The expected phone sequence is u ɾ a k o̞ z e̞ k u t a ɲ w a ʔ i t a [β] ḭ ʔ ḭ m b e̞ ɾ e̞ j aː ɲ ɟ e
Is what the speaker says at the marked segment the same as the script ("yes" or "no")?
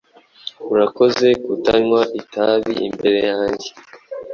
yes